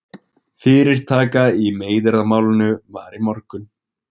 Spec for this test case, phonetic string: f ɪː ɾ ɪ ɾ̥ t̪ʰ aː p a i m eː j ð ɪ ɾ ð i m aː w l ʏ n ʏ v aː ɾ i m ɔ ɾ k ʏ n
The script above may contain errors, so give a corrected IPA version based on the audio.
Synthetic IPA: f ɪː ɾ ɪ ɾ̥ t̪ʰ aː k a i m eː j ð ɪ ɾ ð a m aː w l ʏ n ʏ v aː ɾ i m ɔ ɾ k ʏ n